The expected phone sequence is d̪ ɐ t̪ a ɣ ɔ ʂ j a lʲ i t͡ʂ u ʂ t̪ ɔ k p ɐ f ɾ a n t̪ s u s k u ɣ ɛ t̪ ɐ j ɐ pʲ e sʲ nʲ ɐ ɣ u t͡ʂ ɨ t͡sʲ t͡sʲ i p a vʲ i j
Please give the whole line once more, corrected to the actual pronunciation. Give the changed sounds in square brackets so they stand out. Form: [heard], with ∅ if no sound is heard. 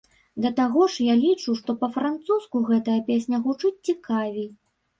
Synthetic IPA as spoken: d̪ ɐ t̪ a ɣ ɔ ʂ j a lʲ i t͡ʂ u ʂ t̪ ɔ [∅] p ɐ f ɾ a n t̪ s u s k u ɣ ɛ t̪ ɐ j ɐ pʲ e sʲ nʲ ɐ ɣ u t͡ʂ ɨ t͡sʲ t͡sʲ i [k] a vʲ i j